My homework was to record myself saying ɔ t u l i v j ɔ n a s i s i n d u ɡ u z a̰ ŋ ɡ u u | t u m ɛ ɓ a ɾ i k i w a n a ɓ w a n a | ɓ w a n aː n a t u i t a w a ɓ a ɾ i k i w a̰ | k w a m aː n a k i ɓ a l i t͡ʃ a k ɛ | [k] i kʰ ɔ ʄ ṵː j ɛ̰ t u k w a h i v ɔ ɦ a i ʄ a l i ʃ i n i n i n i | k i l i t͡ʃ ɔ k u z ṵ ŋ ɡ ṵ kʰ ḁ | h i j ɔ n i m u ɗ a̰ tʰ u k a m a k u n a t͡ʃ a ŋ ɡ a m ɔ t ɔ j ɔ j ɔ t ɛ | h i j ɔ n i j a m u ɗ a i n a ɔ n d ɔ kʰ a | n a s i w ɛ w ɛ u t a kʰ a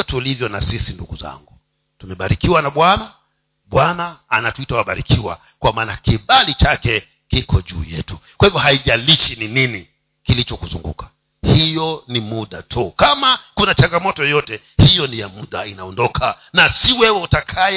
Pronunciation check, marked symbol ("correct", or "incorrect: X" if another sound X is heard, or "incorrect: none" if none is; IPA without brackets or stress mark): correct